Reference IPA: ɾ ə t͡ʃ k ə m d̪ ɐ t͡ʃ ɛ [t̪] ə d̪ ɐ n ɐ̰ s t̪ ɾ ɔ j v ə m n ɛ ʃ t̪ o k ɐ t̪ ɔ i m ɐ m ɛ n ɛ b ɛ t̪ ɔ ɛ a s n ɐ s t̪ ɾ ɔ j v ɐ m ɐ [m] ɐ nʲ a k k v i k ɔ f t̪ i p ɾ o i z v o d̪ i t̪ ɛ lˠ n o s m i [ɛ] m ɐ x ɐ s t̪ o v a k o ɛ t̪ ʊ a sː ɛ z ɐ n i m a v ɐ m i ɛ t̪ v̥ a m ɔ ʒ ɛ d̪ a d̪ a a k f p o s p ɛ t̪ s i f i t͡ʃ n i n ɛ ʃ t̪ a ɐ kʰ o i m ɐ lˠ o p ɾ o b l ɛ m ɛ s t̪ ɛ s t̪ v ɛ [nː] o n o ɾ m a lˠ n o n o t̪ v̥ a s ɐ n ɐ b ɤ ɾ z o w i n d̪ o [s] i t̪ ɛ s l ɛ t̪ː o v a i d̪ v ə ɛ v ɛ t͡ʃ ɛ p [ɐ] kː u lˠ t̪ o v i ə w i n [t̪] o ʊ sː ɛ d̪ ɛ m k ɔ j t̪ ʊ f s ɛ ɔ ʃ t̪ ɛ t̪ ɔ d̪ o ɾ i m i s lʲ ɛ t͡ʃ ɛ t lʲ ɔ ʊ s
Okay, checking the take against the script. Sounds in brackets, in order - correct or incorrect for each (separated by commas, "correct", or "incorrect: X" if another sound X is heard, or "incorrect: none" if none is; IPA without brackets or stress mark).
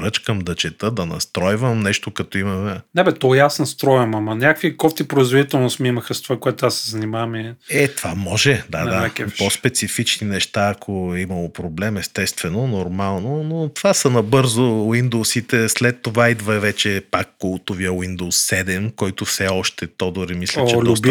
correct, correct, incorrect: i, incorrect: n, correct, incorrect: a, incorrect: d̪